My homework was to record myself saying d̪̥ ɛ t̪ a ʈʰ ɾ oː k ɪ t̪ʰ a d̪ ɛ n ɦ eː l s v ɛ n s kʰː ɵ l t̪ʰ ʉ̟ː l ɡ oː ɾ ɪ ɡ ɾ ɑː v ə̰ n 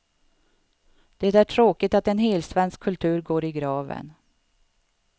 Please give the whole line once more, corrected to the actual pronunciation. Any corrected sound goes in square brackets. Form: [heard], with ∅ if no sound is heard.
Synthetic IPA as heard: d̪̥ ɛ t̪ [æ] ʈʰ ɾ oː k ɪ [t̪] a [t̪] ɛ n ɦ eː l s v ɛ n s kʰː ɵ l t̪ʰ ʉ̟ː [ɾ] ɡ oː ɾ ɪ ɡ ɾ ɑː v ə̰ n